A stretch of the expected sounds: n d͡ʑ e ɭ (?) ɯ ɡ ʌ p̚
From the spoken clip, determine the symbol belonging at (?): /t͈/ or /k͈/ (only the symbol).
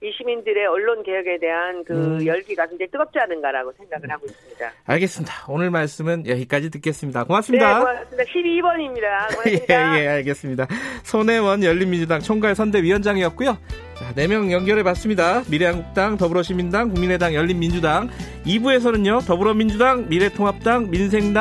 t͈